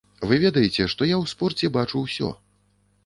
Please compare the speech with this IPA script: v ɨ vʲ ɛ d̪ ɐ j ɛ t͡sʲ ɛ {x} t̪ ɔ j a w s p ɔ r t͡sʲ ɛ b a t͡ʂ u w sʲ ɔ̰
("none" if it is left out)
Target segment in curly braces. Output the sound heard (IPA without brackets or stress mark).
ʂ